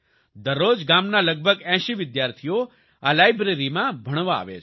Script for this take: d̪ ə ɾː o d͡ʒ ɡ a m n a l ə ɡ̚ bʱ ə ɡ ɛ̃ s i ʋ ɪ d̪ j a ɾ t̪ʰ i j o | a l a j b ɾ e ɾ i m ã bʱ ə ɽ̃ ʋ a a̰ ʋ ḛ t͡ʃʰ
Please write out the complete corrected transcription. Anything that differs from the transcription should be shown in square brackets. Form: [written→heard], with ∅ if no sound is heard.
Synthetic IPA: d̪ ə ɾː o d͡ʒ ɡ a m n a l ə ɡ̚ bʱ ə ɡ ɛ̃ [s→ʃ] i ʋ ɪ d̪ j a ɾ t̪ʰ i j o | a l a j b ɾ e ɾ i m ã bʱ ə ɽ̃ ʋ a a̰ ʋ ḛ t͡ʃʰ